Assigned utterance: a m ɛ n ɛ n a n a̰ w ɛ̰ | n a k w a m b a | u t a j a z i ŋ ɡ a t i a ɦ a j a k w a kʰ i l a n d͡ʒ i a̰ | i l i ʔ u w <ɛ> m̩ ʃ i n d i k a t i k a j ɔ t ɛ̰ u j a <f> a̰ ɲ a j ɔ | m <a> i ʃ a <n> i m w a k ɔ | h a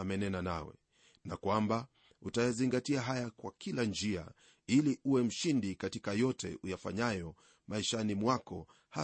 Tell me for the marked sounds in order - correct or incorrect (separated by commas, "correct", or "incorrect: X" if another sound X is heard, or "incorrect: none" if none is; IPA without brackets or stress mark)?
correct, correct, correct, correct